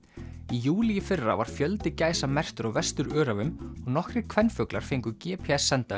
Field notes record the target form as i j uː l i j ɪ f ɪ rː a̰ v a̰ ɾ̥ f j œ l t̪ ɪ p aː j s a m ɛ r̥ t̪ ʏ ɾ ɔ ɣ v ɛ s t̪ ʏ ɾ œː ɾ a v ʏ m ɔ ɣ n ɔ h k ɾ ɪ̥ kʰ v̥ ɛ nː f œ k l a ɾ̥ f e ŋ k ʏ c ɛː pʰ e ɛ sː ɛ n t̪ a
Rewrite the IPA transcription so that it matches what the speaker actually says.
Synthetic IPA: i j uː l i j ɪ f ɪ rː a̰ v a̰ ɾ̥ f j œ l t̪ ɪ c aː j s a m ɛ r̥ t̪ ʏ ɾ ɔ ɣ v ɛ s t̪ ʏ ɾ œː ɾ a v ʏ m ɔ ɣ n ɔ h k ɾ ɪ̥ kʰ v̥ ɛ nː f œ k l a ɾ̥ f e ŋ k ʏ c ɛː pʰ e ɛ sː ɛ n t̪ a